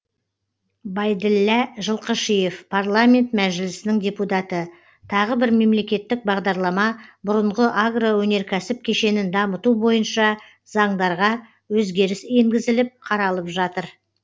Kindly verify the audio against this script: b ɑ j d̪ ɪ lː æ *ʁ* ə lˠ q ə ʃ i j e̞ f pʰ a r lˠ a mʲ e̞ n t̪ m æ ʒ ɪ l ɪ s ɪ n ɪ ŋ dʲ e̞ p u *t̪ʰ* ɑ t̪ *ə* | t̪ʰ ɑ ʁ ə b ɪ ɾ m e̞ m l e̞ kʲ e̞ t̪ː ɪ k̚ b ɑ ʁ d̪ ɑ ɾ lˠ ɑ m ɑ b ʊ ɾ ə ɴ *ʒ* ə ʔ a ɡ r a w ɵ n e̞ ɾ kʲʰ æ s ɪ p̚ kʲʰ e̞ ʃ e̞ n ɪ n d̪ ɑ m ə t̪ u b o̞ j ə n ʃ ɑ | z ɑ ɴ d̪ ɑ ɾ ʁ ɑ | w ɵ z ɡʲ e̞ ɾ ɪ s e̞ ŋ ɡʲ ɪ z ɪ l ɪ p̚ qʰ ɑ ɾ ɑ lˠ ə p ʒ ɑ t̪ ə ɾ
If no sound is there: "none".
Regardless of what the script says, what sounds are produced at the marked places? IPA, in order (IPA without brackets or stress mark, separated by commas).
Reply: ʒ, t̪, ə, ʁ